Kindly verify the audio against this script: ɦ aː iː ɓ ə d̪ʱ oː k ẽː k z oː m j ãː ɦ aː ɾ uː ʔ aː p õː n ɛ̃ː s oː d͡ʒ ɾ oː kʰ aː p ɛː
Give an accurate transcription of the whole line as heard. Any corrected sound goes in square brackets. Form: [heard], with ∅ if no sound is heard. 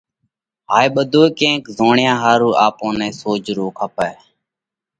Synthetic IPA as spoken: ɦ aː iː ɓ ə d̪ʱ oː k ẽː k z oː [ɳ] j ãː ɦ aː ɾ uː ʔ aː p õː n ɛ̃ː s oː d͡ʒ ɾ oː kʰ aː p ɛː